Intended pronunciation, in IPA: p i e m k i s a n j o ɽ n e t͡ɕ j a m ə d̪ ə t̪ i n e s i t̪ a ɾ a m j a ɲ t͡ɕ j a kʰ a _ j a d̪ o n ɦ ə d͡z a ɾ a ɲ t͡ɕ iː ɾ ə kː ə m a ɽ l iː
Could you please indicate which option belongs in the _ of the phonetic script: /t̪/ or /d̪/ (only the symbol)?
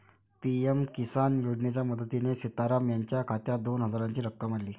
t̪